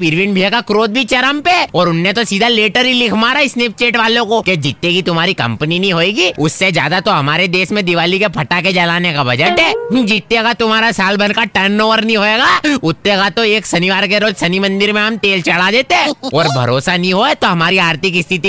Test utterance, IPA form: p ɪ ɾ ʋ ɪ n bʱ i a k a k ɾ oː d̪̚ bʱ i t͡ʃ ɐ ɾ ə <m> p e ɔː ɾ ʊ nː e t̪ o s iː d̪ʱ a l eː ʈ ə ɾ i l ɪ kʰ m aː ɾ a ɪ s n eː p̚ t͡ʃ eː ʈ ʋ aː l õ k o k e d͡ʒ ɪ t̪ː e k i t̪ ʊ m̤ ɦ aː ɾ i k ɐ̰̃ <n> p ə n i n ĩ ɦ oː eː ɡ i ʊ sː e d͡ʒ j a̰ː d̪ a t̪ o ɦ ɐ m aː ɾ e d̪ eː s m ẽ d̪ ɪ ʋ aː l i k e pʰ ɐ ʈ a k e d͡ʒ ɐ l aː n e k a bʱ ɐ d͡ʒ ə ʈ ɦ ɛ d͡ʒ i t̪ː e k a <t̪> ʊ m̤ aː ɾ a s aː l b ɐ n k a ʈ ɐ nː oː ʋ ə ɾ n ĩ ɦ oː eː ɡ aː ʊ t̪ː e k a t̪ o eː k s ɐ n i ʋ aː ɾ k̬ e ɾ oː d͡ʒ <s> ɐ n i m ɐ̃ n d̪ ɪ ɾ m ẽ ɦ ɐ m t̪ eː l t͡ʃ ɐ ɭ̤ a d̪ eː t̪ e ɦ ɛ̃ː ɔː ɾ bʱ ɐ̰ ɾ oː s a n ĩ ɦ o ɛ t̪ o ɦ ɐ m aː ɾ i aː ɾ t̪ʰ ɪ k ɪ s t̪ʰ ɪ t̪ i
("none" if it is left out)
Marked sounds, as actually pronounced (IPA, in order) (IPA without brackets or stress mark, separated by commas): m, m, t̪, s